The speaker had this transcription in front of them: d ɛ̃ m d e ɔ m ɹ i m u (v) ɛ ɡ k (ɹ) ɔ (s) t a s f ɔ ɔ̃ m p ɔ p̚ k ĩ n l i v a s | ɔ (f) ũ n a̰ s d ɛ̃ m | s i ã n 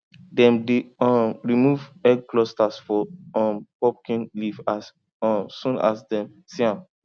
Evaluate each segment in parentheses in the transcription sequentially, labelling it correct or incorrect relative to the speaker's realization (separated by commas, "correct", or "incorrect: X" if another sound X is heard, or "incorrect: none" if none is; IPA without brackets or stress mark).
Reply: correct, incorrect: l, correct, incorrect: s